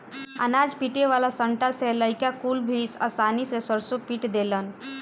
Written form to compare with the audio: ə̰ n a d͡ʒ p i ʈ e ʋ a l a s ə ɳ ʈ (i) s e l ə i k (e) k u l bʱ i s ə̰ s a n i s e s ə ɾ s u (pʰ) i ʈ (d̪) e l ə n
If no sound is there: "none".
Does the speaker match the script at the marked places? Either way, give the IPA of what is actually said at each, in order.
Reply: a, a, p, d̪

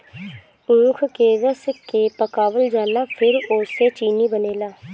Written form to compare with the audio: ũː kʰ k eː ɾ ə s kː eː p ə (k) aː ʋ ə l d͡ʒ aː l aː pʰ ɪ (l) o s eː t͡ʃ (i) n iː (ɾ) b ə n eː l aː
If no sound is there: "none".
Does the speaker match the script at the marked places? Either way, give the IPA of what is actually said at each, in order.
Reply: k, ɾ, iː, none

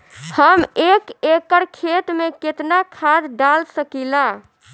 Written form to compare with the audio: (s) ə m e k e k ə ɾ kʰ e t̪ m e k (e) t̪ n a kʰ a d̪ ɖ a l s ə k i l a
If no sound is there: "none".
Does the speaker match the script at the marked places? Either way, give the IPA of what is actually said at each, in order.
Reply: h, e

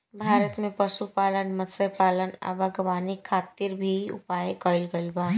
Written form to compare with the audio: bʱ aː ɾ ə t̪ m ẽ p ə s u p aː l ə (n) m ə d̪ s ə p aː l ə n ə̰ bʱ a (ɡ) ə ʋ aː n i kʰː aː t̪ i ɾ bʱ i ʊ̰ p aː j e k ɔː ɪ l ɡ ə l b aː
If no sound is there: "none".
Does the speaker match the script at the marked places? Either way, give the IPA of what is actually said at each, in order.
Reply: n, ɡ

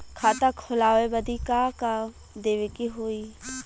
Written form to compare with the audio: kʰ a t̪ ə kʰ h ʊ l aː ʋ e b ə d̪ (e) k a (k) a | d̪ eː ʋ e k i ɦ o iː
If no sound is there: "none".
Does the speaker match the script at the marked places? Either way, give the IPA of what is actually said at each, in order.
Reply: i, k

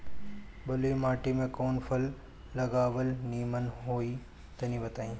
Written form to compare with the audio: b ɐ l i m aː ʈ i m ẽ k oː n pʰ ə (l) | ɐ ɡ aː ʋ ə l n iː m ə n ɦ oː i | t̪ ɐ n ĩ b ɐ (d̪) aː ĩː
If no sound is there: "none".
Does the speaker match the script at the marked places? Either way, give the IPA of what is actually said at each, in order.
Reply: lː, t̪

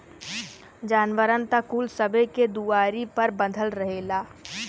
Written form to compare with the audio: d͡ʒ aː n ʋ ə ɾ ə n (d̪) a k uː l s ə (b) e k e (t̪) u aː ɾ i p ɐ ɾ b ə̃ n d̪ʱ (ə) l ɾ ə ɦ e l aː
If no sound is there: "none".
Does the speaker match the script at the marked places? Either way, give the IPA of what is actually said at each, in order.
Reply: t̪, b, d̪, ə

